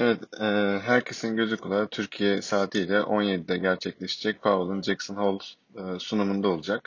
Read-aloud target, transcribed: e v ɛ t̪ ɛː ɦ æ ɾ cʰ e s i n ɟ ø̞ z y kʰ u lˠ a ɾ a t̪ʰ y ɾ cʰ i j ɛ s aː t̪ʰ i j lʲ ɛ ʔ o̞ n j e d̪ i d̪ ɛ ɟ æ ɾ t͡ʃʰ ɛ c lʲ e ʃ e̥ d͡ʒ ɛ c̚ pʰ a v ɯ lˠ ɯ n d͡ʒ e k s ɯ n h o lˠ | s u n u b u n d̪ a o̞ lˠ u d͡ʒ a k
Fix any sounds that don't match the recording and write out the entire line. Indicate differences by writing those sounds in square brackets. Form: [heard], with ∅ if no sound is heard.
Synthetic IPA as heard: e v ɛ t̪ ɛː ɦ æ ɾ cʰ e s i n ɟ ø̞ z y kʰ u lˠ a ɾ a t̪ʰ y ɾ cʰ i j ɛ s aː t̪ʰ i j lʲ ɛ ʔ o̞ n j e d̪ i d̪ ɛ ɟ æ ɾ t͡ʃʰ ɛ c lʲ e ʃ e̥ d͡ʒ ɛ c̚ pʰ a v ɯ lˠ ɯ n d͡ʒ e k s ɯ n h o lˠ | s u n u [m] u n d̪ a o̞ lˠ u d͡ʒ a k